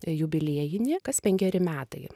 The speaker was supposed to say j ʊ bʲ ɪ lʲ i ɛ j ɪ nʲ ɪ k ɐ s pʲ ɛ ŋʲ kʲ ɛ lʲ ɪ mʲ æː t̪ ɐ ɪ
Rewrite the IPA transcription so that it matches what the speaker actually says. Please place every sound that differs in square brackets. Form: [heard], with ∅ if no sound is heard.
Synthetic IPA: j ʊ bʲ ɪ lʲ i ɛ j ɪ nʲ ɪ k ɐ s pʲ ɛ ŋʲ kʲ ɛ [ɾʲ] ɪ mʲ æː t̪ ɐ ɪ